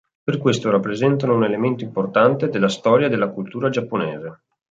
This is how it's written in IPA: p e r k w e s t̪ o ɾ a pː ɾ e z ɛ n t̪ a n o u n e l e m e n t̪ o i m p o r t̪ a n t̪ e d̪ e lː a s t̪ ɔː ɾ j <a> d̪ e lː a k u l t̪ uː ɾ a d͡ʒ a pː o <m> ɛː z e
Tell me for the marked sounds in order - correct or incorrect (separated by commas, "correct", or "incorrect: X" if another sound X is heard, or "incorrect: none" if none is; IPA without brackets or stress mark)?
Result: correct, incorrect: n